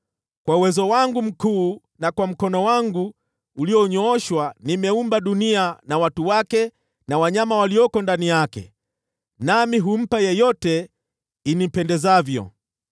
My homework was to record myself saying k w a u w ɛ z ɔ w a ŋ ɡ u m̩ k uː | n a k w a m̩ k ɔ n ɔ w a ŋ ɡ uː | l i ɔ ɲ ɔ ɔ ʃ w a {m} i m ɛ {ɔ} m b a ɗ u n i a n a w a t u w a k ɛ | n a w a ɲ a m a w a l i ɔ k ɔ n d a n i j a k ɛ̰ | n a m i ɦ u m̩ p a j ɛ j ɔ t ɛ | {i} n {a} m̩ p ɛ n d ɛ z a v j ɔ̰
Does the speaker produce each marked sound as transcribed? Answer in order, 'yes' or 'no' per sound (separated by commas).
no, no, yes, no